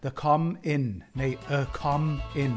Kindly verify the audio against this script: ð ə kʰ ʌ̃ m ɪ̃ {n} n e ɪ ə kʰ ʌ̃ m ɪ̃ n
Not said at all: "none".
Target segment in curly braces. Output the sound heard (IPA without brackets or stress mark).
n